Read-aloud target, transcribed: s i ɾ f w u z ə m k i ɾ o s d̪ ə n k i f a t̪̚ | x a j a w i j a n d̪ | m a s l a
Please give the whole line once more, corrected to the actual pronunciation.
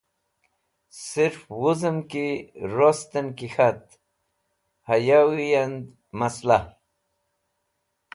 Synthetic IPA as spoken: s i ɾ f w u z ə m k i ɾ o s t̪ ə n k i x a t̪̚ | h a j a w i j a n d̪ | m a s l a

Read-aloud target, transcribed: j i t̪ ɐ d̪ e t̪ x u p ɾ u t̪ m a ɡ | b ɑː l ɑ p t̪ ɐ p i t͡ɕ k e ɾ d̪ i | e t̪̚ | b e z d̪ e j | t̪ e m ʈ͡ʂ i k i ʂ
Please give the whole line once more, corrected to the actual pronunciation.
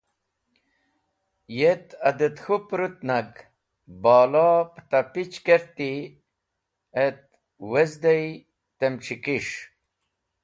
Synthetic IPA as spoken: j e t̪ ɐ d̪ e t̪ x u p ɾ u t̪ n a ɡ | b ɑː l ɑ p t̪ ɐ p i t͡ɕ k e ɾ t̪ i | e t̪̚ | w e z d̪ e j | t̪ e m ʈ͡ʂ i k i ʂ

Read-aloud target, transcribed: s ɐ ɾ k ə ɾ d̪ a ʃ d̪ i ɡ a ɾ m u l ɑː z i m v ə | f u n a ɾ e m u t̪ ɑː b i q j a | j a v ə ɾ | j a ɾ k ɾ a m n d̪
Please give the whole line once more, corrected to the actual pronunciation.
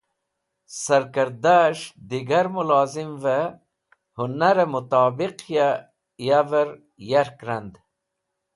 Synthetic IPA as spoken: s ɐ ɾ k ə ɾ d̪ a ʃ d̪ i ɡ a ɾ m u l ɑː z i m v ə | h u n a ɾ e m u t̪ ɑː b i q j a | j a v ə ɾ | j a ɾ k ɾ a n d̪

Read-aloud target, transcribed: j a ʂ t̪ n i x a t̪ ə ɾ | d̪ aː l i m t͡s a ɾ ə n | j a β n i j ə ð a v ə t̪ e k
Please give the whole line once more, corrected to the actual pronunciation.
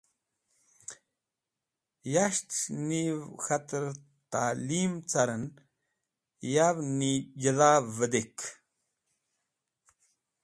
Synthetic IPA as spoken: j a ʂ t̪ n i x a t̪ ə ɾ | t̪ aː l i m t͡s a ɾ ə n | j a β n i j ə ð a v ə d̪ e k

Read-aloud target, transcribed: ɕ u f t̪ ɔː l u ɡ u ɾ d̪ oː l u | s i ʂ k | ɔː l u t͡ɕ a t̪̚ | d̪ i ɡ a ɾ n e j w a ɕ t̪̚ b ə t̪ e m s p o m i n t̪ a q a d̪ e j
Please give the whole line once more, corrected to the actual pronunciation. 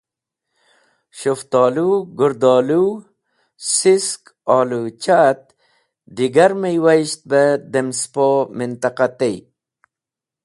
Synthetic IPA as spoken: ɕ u f t̪ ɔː l u ɡ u ɾ d̪ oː l u | s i s k | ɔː l u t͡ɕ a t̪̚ | d̪ i ɡ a ɾ m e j w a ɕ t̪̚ b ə d̪ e m s p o m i n t̪ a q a t̪ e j

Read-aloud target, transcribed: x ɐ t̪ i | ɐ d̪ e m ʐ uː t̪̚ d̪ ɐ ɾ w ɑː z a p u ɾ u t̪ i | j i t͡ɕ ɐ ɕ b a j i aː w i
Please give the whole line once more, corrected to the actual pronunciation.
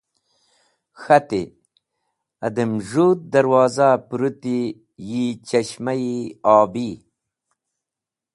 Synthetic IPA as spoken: x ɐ t̪ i | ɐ d̪ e m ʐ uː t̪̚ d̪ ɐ ɾ w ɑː z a p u ɾ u t̪ i | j i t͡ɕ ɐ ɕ m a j i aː b i

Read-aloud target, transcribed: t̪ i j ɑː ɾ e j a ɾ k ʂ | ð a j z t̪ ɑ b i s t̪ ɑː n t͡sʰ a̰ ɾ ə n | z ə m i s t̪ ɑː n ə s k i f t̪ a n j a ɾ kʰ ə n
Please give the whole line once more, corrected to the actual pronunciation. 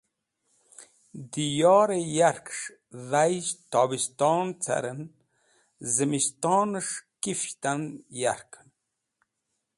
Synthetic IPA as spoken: d̪ i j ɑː ɾ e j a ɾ k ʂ | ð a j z t̪ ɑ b i s t̪ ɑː n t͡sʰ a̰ ɾ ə n | z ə m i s t̪ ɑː n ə ʂ k i f t̪ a n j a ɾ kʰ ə n

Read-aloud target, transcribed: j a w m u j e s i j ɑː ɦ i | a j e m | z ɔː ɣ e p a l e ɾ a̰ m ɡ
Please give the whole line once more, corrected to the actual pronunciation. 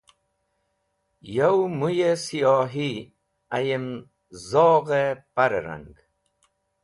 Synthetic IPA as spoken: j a w m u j e s i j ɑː ɦ i | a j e m | z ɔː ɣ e p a ɾ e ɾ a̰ ŋ ɡ

